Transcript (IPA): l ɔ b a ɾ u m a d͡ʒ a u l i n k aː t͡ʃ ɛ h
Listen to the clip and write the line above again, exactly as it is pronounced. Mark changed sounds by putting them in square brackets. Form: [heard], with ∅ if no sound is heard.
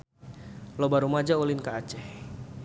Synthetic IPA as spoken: l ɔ b a ɾ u m a d͡ʒ a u l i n k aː t͡ʃ ɛ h